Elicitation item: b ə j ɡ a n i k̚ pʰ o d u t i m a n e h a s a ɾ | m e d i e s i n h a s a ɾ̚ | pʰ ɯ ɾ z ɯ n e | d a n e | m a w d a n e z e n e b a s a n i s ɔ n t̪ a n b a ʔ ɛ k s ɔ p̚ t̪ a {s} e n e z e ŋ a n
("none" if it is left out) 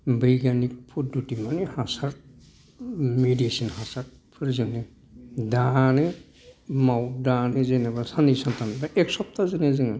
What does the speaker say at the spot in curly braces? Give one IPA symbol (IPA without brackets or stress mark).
z